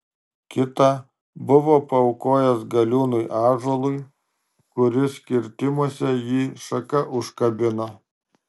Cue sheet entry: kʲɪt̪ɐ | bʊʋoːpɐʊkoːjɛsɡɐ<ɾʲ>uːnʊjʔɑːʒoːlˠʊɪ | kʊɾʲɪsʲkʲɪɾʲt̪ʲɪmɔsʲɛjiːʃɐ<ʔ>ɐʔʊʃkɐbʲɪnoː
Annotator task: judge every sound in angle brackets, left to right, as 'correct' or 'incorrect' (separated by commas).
incorrect, incorrect